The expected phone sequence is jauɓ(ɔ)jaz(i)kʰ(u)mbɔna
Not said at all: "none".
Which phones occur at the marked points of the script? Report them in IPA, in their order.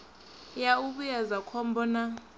u, a, ɔ

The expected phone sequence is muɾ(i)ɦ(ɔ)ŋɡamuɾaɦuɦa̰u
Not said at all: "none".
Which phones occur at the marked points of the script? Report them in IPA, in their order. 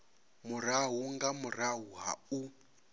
a, u

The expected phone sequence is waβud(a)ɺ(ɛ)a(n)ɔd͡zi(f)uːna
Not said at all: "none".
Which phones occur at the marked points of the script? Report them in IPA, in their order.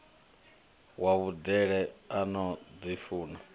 ɛ, ɛ, n, f

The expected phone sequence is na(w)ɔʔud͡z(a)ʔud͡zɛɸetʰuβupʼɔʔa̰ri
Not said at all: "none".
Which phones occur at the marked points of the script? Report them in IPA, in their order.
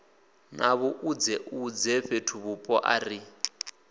β, ɛ

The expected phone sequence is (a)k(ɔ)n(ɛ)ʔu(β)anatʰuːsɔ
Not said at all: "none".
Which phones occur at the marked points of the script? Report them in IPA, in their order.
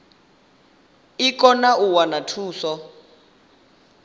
i, ɔ, a, w

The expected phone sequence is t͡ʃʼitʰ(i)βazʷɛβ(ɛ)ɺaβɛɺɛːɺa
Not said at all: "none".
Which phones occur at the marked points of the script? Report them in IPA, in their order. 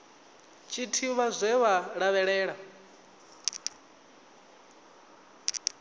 i, a

